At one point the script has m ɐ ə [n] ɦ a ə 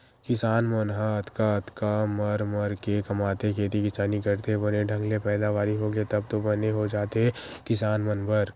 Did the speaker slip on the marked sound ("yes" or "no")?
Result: no